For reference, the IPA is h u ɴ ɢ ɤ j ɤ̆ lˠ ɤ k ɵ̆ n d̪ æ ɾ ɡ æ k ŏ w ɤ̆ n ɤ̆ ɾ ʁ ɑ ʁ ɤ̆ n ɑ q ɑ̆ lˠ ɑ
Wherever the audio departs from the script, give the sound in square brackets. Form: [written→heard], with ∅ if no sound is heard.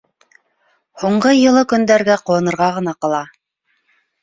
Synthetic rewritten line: h u ɴ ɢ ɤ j ɤ̆ lˠ ɤ k ɵ̆ n d̪ æ ɾ ɡ æ [k→q] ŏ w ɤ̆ n ɤ̆ ɾ ʁ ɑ ʁ ɤ̆ n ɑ q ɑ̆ lˠ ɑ